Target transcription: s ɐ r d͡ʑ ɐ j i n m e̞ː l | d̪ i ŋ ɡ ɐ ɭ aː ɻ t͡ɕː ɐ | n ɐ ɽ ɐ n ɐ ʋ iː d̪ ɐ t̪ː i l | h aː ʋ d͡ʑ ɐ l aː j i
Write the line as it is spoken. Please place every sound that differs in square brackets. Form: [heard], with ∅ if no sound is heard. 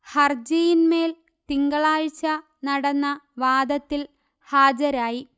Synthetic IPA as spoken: [h] ɐ r d͡ʑ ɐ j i n m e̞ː l | [t̪] i ŋ ɡ ɐ ɭ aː ɻ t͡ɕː ɐ | n ɐ ɽ ɐ [nː] ɐ ʋ [aː] d̪ ɐ t̪ː i l | h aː [∅] d͡ʑ ɐ [ɾ] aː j i